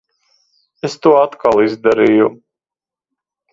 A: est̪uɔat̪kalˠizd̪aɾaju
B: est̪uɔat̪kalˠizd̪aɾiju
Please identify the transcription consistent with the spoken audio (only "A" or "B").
B